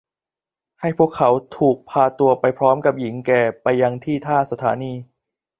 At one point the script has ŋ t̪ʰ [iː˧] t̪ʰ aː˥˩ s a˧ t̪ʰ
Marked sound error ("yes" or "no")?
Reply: yes